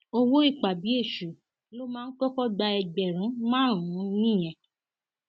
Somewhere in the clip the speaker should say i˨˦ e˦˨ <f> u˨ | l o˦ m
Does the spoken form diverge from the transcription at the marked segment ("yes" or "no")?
yes